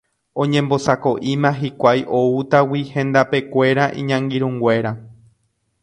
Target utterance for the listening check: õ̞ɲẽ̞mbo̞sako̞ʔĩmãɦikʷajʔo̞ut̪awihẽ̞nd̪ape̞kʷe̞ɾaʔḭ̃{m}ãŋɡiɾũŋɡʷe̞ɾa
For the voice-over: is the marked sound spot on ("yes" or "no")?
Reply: no